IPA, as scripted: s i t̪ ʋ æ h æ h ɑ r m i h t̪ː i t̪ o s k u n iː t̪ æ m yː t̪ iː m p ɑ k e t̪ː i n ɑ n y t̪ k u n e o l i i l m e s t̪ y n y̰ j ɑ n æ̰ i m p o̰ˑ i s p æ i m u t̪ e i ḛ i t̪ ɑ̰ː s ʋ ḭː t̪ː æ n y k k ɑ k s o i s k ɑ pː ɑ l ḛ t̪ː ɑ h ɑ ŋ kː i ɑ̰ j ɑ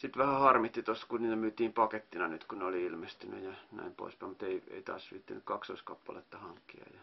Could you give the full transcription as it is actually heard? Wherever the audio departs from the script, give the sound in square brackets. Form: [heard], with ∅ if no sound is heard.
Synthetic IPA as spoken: s i t̪ ʋ æ h æ h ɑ r m i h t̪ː i t̪ o s k u n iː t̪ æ m yː t̪ iː m p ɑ k e t̪ː i n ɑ n y t̪ k u n e o l i i l m e s t̪ y n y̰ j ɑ n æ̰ i m p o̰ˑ i s p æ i m u t̪ e i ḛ i t̪ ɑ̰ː s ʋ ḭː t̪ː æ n y k k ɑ k s o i s k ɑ pː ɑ l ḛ t̪ː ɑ h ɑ ŋ kː i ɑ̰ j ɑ